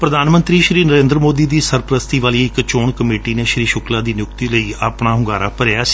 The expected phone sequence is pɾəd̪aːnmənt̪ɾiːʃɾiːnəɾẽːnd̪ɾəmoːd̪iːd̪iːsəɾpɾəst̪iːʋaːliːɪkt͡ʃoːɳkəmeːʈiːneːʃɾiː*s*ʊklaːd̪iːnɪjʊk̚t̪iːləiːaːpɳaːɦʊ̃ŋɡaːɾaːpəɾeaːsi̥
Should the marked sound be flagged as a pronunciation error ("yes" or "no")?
yes